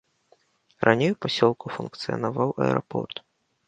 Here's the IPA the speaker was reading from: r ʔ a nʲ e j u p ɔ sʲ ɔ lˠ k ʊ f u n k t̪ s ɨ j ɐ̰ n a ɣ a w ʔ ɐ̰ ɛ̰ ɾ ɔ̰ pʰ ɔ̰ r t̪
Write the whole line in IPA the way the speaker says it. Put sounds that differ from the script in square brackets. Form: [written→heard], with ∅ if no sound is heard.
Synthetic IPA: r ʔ a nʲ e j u p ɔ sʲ ɔ lˠ k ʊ f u n k t̪ s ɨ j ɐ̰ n a [ɣ→v] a w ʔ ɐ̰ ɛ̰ ɾ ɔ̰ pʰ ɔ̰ r t̪

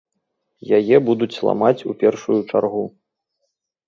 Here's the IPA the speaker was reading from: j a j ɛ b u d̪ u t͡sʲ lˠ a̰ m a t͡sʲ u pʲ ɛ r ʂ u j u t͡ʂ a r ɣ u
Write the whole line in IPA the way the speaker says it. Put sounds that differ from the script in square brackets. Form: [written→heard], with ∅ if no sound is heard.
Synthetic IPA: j a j ɛ b u d̪ u t͡sʲ lˠ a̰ m a t͡sʲ u pʲ ɛ r ʂ u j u t͡ʂ a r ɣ u

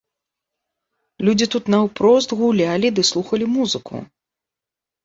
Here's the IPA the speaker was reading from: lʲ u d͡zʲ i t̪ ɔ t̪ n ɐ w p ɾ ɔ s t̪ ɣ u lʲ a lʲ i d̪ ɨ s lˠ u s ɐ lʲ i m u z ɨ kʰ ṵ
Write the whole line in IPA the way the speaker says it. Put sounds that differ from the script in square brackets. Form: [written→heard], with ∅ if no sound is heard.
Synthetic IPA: lʲ u d͡zʲ i t̪ [ɔ→u] t̪ n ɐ w p ɾ ɔ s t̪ ɣ u lʲ a lʲ i d̪ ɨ s lˠ u [s→x] ɐ lʲ i m u z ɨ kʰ ṵ

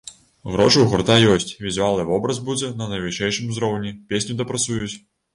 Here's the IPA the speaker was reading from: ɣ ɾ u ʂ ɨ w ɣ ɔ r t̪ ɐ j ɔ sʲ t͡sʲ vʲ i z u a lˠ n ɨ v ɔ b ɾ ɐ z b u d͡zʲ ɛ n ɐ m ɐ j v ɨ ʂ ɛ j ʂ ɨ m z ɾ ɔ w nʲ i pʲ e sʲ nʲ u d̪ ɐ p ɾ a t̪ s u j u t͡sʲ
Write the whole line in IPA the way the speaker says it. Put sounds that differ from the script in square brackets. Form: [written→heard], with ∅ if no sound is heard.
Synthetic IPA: ɣ ɾ [u→ɔ] ʂ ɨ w ɣ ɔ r t̪ [ɐ→a] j ɔ sʲ t͡sʲ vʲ i z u a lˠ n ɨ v ɔ b ɾ ɐ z b u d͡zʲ ɛ n ɐ [m→n] ɐ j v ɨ ʂ ɛ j ʂ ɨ m z ɾ ɔ w nʲ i pʲ e sʲ nʲ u d̪ ɐ p ɾ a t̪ s u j u t͡sʲ

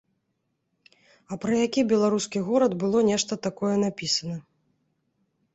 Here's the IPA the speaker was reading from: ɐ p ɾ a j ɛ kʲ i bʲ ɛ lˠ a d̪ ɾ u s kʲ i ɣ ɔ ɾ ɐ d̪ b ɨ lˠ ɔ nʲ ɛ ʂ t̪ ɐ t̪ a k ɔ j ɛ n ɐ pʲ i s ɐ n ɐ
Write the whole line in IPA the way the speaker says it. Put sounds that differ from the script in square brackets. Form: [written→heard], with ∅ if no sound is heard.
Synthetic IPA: ɐ p ɾ [a→ɐ] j [ɛ→a] kʲ i bʲ ɛ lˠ a [d̪→∅] ɾ u s kʲ i ɣ ɔ ɾ ɐ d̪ b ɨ lˠ ɔ nʲ ɛ ʂ t̪ ɐ t̪ a k ɔ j ɛ n [ɐ→a] pʲ i s ɐ n ɐ

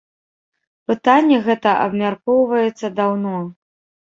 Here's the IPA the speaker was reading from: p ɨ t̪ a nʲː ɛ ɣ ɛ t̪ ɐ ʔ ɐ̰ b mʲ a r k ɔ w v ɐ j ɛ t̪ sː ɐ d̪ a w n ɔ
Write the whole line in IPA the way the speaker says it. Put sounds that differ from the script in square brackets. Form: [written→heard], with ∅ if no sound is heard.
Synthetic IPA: p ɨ t̪ a nʲː ɛ ɣ ɛ t̪ ɐ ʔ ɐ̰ b mʲ a r k ɔ w v ɐ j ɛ t̪ sː ɐ d̪ a w n ɔ

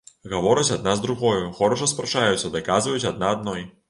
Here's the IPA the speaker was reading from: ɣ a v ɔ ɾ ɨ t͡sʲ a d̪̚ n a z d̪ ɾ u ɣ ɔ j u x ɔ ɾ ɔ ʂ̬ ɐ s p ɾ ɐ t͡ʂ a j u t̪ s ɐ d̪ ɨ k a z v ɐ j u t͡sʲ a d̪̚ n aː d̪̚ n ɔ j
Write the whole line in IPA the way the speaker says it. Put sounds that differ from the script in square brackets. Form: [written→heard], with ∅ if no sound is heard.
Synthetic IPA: ɣ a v ɔ ɾ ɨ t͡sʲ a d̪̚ n a z d̪ ɾ u ɣ ɔ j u x ɔ ɾ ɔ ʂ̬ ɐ s p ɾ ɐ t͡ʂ a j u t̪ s ɐ d̪ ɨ k a z v ɐ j u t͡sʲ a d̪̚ n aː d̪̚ n ɔ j

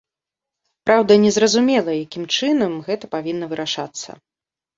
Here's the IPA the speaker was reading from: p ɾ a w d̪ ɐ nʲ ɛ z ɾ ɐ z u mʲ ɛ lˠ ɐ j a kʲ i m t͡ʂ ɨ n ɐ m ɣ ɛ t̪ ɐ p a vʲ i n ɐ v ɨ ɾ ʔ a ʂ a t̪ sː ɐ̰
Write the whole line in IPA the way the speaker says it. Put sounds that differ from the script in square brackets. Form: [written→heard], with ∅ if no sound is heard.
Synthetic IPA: p ɾ a w d̪ ɐ nʲ ɛ z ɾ ɐ z u mʲ ɛ lˠ ɐ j a kʲ i m t͡ʂ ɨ n ɐ m ɣ ɛ t̪ ɐ p a vʲ i [n→nː] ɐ v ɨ ɾ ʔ a ʂ a t̪ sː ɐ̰

